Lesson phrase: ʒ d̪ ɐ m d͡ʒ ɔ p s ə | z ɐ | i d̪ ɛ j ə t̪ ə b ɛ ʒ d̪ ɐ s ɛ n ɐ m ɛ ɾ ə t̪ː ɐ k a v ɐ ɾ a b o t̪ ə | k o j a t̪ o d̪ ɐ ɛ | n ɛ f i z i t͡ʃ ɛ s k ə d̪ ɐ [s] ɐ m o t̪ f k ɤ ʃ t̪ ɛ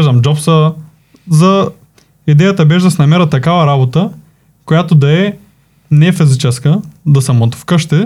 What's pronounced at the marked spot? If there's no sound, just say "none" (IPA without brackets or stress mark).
s